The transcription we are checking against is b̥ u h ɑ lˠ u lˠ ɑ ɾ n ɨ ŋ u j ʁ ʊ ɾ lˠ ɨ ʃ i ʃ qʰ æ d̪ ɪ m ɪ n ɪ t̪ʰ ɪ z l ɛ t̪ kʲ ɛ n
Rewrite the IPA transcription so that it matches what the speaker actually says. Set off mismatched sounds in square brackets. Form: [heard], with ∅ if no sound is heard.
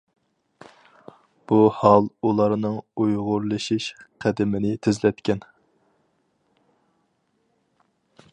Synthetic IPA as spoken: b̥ u h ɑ lˠ u lˠ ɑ ɾ n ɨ ŋ u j ʁ ʊ ɾ lˠ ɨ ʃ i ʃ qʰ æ d̪ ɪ m ɪ n ɪ t̪ʰ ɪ z l ɛ t̪ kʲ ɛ n

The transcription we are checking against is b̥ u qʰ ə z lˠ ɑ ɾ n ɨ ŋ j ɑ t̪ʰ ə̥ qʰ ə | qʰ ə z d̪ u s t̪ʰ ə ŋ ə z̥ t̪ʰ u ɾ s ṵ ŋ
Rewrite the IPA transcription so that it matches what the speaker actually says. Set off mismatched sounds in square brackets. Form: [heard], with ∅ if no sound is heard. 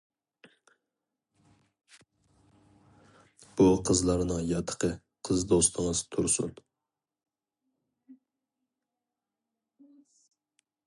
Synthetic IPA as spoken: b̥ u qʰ ə z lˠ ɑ ɾ n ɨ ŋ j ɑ t̪ʰ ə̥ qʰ ə | qʰ ə z d̪ [o] s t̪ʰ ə ŋ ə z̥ t̪ʰ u ɾ s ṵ [n]

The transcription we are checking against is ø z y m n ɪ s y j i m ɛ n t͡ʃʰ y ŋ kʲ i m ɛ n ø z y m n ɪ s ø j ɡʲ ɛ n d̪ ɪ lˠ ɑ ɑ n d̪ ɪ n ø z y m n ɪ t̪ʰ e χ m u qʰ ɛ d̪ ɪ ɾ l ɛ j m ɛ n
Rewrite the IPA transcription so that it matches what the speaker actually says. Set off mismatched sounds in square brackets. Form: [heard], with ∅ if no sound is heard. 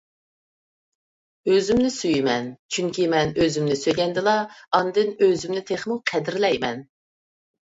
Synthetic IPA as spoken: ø z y m n ɪ s y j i m ɛ n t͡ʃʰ y ŋ kʲ i m ɛ n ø z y m n ɪ s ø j ɡʲ ɛ n d̪ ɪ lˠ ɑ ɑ n d̪ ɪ n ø z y m n ɪ t̪ʰ e χ m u qʰ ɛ d̪ ɪ ɾ l ɛ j m ɛ n

